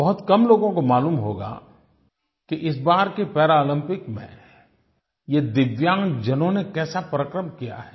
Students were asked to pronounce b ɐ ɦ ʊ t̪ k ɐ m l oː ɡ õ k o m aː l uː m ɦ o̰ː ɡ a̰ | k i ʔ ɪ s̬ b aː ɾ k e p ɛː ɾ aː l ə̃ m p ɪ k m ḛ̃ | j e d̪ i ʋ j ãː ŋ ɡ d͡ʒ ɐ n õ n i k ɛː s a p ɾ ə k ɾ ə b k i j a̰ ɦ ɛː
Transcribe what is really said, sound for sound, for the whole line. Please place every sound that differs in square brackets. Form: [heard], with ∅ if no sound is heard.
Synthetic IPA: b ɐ ɦ ʊ t̪ k ɐ m l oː ɡ õ k o m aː l uː m ɦ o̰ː ɡ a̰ | k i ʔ ɪ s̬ b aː ɾ k e p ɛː ɾ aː l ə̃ m p ɪ k m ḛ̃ | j e d̪ [ɪ] ʋ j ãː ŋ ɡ d͡ʒ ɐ n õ n [e] k ɛː s a p ɾ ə k ɾ ə [m] k i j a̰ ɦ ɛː